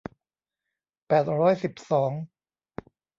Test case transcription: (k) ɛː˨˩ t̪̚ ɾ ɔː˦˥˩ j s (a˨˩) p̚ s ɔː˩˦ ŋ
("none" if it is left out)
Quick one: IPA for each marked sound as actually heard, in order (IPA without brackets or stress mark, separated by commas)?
p, i˨˩